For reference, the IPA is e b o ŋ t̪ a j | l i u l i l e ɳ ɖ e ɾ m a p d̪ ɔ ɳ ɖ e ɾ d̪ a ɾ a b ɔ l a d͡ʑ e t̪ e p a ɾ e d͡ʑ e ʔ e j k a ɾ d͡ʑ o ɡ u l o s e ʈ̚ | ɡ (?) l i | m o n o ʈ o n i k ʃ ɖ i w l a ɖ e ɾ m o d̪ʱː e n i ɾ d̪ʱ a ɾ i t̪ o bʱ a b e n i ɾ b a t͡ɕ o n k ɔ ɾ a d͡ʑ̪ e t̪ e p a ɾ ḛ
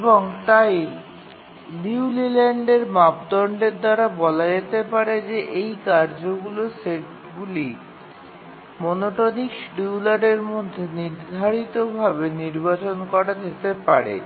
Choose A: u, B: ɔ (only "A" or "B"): A